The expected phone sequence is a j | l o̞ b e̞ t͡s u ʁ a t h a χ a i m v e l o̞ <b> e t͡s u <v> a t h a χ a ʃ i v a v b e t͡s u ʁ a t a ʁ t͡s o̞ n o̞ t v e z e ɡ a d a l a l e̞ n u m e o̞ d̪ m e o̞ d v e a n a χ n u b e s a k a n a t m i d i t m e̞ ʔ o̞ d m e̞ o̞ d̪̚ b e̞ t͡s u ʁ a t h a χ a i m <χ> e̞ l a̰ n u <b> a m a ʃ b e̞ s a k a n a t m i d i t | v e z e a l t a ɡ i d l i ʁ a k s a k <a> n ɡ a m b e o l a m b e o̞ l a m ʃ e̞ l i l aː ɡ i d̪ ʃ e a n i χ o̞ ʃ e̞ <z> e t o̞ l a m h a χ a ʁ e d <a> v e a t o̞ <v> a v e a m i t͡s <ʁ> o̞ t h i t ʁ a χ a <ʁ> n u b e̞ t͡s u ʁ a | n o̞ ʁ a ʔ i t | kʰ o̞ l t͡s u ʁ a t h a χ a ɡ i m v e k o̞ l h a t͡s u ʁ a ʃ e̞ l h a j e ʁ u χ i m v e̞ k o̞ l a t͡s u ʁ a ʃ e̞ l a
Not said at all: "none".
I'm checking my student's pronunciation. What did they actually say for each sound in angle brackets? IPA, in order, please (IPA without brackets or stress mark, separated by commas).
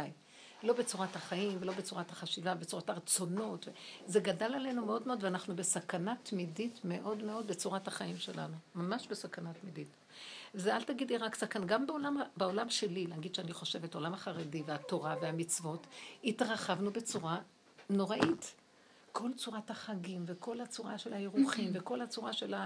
b, ʁ, ʃ, m, a, v, i, ʁ, v, v